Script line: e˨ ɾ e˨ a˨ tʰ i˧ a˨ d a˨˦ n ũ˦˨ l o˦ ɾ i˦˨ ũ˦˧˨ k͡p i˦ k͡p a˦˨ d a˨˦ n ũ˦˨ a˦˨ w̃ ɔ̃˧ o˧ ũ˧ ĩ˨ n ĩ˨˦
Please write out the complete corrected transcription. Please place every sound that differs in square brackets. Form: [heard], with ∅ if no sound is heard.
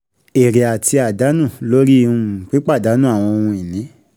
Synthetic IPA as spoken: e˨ ɾ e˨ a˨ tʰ i˧ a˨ d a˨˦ n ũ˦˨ l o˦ ɾ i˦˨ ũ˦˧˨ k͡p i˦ k͡p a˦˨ d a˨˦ n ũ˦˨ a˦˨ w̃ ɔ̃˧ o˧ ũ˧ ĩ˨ n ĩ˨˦